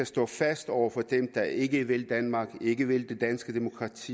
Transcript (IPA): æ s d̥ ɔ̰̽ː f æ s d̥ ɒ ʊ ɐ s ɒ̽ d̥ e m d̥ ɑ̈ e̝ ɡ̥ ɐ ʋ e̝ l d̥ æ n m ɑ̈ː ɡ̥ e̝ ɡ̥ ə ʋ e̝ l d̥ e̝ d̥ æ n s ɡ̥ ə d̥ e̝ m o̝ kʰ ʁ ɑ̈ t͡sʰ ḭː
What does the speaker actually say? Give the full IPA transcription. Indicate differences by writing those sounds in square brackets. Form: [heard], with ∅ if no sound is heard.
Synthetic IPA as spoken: æ s d̥ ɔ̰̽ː f æ s d̥ ɒ ʊ ɐ [f] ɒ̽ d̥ e m d̥ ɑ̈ e̝ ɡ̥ [ə] ʋ e̝ l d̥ æ n m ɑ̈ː ɡ̥ e̝ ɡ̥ ə ʋ e̝ l d̥ e̝ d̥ æ n s ɡ̥ ə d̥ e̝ m o̝ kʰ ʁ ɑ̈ t͡sʰ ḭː